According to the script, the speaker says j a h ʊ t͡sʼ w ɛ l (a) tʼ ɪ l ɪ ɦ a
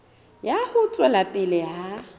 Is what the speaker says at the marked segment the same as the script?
yes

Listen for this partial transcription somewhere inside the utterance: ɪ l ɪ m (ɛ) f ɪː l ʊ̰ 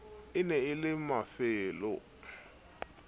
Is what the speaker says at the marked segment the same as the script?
no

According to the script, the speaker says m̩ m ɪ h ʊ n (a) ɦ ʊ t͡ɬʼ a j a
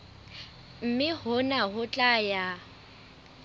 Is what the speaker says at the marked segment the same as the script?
yes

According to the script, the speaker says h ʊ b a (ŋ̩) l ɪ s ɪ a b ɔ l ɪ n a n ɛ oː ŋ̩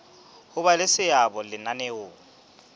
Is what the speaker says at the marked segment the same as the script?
no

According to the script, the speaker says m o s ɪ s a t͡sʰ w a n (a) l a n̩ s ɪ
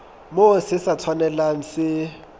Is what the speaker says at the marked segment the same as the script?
no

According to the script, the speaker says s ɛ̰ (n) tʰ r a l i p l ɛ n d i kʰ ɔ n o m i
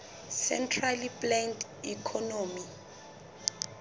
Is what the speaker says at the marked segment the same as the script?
yes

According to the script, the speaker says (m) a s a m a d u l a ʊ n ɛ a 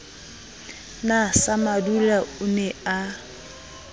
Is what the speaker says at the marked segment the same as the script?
no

